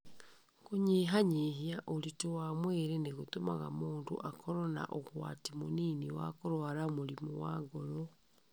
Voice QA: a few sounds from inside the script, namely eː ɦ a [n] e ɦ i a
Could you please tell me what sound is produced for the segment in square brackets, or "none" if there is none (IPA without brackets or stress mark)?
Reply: ɲ